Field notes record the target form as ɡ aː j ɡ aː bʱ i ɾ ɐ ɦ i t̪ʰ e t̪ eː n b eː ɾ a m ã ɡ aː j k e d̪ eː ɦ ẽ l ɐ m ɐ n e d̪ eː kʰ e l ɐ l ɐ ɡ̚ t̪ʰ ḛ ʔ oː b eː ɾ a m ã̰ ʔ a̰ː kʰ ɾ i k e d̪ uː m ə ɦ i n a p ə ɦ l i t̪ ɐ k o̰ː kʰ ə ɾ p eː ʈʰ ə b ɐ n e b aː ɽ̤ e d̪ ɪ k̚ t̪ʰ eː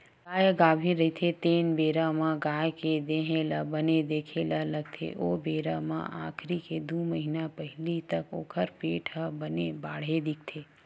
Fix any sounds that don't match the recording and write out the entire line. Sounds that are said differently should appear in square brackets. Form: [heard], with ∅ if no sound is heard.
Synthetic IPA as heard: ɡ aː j ɡ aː bʱ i ɾ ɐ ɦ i t̪ʰ e t̪ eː n b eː ɾ a m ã ɡ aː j k e d̪ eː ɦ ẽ l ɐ [b] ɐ n e d̪ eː kʰ e l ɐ l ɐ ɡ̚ t̪ʰ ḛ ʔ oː b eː ɾ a m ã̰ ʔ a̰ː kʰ ɾ i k e d̪ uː m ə ɦ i n a p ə ɦ l i t̪ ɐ k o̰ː kʰ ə ɾ p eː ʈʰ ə b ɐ n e b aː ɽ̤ e d̪ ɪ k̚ t̪ʰ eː